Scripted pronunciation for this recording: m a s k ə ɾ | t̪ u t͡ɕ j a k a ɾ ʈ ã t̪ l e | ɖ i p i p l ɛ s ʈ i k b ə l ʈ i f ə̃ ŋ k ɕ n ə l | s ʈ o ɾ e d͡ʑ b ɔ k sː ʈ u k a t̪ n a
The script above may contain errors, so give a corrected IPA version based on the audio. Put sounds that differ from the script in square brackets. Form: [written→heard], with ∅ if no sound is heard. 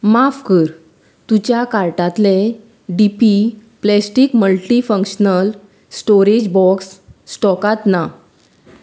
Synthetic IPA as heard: m a [s→f] k ə ɾ | t̪ u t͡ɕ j a k a ɾ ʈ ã t̪ l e | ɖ i p i p l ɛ s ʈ i k [b→m] ə l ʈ i f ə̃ ŋ k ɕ n ə l | s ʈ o ɾ e d͡ʑ b ɔ k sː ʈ [u→ɔ] k a t̪ n a